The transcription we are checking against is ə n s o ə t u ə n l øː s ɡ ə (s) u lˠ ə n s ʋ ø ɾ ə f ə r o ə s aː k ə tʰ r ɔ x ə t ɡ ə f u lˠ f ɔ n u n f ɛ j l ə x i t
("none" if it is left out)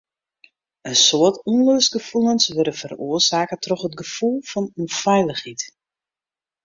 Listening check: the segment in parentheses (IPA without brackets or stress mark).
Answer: f